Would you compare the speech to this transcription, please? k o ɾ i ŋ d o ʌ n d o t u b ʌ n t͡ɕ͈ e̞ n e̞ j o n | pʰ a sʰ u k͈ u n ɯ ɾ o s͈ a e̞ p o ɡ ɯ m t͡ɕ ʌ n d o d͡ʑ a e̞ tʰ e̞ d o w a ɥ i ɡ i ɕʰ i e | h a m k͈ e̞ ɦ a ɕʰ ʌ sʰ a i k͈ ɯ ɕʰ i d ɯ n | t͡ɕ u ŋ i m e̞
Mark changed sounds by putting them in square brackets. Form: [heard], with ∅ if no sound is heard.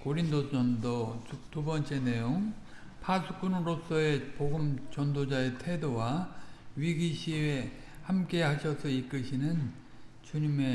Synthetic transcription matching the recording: k o ɾ i [n] d o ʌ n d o t u b ʌ n t͡ɕ͈ e̞ n e̞ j o [ŋ] | pʰ a sʰ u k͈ u n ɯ ɾ o s͈ [ʌ] e̞ p o ɡ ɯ m t͡ɕ ʌ n d o d͡ʑ a e̞ tʰ e̞ d o w a ɥ i ɡ i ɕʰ i e | h a m k͈ e̞ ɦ a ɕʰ ʌ sʰ [ʌ] i k͈ ɯ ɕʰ i [n] ɯ n | t͡ɕ u [ɲ] i m e̞